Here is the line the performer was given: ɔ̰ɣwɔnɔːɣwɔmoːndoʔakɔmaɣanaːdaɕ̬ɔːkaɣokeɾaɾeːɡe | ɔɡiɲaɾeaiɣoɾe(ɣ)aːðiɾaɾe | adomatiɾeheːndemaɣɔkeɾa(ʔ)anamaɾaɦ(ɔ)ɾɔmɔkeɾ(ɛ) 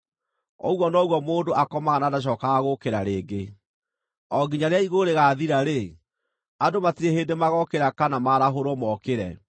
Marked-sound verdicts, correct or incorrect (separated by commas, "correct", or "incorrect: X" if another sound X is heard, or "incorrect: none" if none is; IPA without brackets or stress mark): correct, incorrect: k, incorrect: o, correct